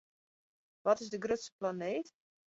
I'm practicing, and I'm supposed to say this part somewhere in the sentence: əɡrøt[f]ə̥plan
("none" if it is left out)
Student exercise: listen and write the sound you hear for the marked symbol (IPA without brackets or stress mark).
s